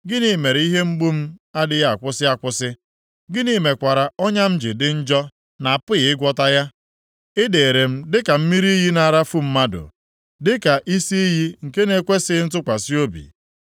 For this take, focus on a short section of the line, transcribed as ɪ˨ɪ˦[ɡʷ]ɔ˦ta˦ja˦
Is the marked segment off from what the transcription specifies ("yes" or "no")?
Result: no